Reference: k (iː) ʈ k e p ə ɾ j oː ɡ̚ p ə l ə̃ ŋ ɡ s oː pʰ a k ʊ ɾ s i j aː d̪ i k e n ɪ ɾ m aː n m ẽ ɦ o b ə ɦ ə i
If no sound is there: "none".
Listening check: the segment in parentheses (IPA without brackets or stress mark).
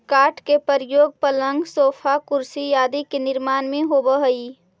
aː